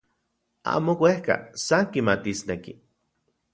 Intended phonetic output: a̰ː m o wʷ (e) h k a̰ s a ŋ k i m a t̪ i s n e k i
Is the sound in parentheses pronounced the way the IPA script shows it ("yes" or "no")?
yes